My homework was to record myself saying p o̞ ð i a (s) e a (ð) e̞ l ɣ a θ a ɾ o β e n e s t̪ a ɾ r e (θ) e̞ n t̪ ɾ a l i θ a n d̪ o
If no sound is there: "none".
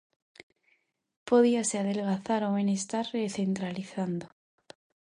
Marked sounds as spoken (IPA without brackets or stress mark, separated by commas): s, ð, θ